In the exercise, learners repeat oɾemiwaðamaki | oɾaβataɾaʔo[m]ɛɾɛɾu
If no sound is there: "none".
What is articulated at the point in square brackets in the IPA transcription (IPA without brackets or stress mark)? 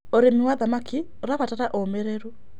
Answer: m